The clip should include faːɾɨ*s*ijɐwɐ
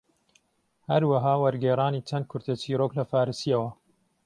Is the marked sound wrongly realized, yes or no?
no